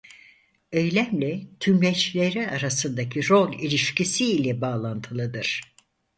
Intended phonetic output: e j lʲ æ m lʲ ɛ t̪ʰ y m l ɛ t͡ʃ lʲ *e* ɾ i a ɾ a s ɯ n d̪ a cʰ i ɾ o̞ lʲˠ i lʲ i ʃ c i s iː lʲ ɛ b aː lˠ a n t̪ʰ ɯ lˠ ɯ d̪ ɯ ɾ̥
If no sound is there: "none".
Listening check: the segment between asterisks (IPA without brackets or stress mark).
e